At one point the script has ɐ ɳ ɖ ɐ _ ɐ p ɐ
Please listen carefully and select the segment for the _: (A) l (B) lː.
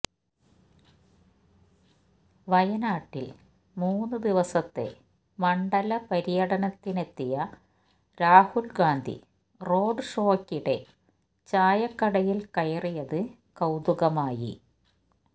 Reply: A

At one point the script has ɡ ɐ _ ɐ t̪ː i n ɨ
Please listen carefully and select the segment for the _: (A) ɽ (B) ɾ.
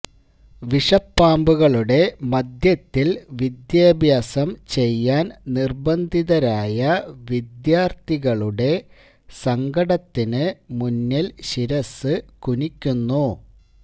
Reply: A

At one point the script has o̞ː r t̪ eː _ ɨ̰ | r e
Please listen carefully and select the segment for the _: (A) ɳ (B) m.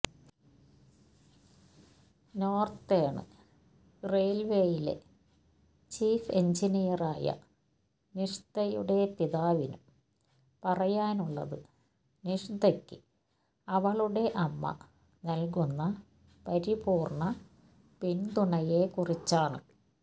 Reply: A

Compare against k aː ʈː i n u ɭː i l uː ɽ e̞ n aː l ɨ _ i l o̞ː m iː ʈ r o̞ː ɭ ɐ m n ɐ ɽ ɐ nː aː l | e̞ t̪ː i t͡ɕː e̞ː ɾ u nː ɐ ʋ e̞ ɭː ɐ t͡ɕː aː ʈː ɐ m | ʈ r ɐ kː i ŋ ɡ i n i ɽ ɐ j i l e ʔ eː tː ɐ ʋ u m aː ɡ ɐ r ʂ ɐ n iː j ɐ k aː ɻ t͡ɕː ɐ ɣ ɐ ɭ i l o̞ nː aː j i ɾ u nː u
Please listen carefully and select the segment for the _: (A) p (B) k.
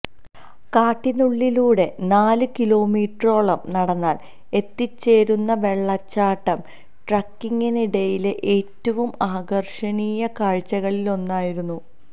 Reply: B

